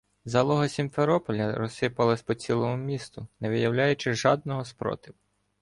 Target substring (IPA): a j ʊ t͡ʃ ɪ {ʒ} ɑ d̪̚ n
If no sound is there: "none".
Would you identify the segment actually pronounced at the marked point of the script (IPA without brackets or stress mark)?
ʒ